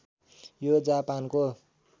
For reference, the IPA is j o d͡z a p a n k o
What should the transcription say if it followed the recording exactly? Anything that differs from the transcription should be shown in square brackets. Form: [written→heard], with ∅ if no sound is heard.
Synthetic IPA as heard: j o d͡z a p a n k o